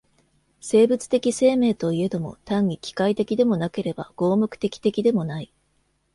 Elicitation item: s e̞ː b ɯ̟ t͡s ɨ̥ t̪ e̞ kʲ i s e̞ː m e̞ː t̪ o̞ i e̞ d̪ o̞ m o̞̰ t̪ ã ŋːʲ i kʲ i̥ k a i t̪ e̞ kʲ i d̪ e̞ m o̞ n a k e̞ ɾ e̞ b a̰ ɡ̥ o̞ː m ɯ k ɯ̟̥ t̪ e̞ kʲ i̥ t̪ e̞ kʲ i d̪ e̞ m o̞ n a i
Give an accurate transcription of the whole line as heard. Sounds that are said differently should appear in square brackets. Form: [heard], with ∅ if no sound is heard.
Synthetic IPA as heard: s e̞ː b ɯ̟ t͡s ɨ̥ t̪ e̞ kʲ i s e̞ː m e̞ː t̪ o̞ i e̞ d̪ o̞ m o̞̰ t̪ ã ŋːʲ i kʲ i̥ k a i t̪ e̞ kʲ i d̪ e̞ m o̞ n a k e̞ ɾ e̞ b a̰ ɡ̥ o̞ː m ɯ k ɯ̟̥ t̪ e̞ kʲ i̥ t̪ e̞ kʲ i d̪ e̞ m o̞ n a i